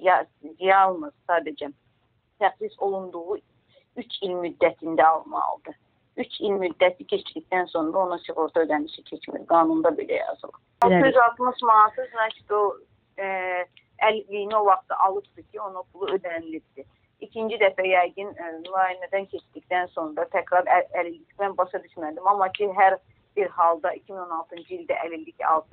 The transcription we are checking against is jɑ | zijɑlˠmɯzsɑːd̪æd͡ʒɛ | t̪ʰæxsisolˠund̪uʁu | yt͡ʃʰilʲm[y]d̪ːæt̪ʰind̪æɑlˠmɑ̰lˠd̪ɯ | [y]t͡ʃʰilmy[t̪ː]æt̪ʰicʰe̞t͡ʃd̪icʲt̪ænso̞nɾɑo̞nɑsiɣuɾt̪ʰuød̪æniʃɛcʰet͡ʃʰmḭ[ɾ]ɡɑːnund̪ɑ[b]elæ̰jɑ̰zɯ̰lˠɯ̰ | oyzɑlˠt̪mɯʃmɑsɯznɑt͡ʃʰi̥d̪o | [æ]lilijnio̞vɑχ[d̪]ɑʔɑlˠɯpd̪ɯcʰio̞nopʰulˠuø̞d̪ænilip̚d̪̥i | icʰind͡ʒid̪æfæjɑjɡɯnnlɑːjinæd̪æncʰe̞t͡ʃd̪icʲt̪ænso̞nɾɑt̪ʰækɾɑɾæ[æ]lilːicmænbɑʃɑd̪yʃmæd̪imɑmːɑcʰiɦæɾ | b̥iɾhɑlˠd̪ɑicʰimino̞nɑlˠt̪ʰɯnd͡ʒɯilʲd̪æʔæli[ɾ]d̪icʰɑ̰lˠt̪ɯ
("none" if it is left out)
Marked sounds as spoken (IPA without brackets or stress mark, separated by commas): y, y, d̪ː, ɾ, b, æ, t̪, æ, l